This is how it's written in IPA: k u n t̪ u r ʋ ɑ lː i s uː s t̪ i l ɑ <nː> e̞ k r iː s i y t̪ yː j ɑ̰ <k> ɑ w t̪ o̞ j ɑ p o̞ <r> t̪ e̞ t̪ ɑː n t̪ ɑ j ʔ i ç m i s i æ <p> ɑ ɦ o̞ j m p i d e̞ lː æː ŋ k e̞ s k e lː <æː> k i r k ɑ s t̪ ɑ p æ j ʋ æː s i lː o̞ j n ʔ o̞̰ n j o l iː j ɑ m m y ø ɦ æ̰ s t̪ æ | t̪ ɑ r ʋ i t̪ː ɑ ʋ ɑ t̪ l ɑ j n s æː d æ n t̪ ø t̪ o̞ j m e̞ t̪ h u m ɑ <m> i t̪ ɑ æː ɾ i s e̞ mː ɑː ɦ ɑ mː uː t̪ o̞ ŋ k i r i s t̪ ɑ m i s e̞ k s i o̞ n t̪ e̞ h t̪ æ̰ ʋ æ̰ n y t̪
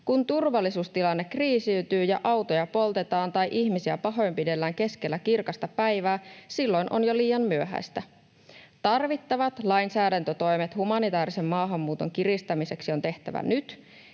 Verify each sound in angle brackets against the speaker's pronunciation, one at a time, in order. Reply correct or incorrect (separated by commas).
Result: correct, incorrect, incorrect, correct, incorrect, incorrect